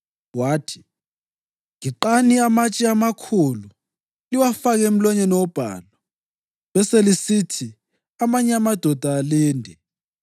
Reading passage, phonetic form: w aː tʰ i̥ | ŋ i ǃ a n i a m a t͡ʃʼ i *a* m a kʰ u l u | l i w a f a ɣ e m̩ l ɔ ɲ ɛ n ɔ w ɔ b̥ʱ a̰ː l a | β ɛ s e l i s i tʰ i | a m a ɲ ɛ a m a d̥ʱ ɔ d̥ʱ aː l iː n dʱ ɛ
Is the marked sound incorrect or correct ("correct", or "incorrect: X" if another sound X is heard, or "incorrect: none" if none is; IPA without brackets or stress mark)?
correct